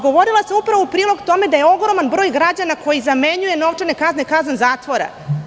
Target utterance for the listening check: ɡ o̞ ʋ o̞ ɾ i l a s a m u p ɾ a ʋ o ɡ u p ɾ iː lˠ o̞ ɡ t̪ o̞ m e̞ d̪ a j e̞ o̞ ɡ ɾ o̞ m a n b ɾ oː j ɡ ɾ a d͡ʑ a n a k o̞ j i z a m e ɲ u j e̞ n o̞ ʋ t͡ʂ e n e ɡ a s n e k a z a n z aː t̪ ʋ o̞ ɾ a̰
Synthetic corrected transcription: ɡ o̞ ʋ o̞ ɾ i l a s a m u p ɾ a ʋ o u p ɾ iː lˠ o̞ ɡ t̪ o̞ m e̞ d̪ a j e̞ o̞ ɡ ɾ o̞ m a n b ɾ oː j ɡ ɾ a d͡ʑ a n a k o̞ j i z a m e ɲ u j e̞ n o̞ ʋ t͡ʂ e n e k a z n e k a z a n z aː t̪ ʋ o̞ ɾ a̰